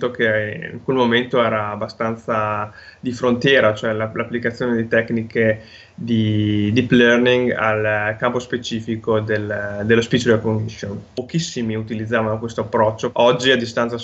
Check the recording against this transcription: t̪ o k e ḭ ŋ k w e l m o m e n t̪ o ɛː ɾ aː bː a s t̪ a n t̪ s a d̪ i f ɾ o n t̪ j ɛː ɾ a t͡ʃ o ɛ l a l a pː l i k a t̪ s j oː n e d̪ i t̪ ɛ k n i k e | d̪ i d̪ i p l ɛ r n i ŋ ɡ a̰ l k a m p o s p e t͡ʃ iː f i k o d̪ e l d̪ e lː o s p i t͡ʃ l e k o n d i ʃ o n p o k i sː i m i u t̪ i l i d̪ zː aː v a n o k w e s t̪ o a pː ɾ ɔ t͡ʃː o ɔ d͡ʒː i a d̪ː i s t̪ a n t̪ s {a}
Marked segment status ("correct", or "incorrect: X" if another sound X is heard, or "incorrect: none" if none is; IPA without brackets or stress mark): correct